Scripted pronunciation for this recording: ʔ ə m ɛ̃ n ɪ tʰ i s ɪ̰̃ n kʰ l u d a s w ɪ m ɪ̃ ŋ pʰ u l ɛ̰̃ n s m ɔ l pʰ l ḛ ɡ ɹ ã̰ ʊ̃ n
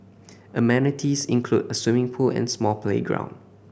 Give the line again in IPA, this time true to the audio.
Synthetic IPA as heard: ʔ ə m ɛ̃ n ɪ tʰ i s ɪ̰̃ n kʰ l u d ə s w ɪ m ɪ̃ ŋ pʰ u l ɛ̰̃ n s m ɔ l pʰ l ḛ ɡ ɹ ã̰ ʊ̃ n